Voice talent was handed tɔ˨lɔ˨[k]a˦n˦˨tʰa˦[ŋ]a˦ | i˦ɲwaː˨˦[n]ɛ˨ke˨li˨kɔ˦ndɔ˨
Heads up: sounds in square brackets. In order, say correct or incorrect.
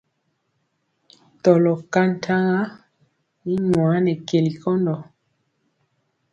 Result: correct, correct, correct

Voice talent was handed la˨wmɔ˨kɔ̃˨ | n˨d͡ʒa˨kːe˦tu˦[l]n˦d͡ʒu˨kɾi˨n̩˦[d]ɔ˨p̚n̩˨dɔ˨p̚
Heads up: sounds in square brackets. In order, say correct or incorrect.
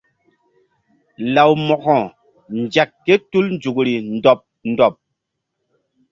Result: correct, correct

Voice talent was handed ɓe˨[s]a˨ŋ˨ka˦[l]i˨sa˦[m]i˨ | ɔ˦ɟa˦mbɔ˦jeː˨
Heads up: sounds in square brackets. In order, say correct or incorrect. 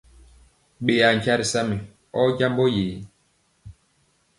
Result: incorrect, incorrect, correct

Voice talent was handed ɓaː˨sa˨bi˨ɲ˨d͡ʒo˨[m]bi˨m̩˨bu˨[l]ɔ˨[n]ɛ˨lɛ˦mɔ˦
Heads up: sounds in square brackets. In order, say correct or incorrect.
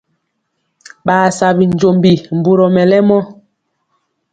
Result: correct, incorrect, incorrect

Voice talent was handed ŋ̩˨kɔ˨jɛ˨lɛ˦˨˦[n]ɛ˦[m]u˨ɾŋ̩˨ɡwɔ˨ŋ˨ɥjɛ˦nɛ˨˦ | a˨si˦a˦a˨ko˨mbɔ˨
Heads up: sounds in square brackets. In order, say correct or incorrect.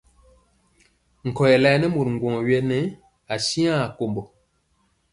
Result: correct, correct

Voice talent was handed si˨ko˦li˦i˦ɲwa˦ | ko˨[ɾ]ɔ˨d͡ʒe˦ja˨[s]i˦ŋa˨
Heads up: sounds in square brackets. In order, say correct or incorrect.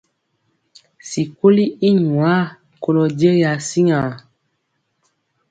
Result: incorrect, correct

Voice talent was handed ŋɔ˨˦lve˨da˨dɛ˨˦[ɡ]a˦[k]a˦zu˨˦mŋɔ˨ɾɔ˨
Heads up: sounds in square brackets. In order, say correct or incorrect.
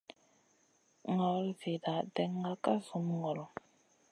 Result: incorrect, correct

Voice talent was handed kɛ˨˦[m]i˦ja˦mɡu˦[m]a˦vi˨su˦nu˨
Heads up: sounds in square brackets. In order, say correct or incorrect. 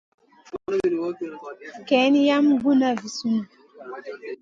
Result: incorrect, incorrect

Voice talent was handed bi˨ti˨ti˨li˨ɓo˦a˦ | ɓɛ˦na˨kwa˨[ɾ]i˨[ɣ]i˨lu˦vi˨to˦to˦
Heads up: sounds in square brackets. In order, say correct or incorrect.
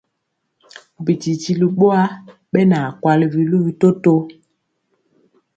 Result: incorrect, incorrect

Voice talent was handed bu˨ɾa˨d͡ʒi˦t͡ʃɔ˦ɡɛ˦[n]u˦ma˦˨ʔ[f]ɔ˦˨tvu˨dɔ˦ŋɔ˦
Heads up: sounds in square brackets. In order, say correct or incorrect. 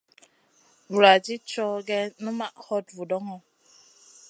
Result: correct, incorrect

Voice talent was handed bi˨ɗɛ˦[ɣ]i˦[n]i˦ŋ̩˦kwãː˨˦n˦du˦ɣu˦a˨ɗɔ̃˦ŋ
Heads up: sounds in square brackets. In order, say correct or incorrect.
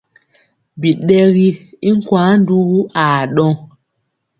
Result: correct, incorrect

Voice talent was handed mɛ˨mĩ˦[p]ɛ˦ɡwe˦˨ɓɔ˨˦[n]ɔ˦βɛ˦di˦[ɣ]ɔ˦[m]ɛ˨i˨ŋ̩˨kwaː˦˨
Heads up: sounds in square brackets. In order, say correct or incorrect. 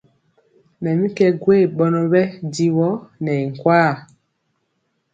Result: incorrect, correct, incorrect, incorrect

